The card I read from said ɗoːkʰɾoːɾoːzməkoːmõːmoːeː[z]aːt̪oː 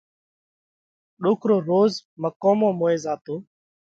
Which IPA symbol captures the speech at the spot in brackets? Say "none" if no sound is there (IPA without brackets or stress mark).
z